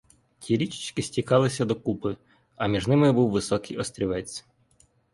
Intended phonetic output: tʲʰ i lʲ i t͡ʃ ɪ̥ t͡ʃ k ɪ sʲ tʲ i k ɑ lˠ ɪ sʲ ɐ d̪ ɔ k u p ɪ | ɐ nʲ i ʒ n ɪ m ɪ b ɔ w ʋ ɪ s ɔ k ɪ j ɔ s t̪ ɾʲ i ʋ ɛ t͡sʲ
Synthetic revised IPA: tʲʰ i ɾʲ i t͡ʃ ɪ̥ t͡ʃ k ɪ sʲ tʲ i k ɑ lˠ ɪ sʲ ɐ d̪ ɔ k u p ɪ | ɐ mʲ i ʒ n ɪ m ɪ b u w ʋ ɪ s ɔ k ɪ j ɔ s t̪ ɾʲ i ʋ ɛ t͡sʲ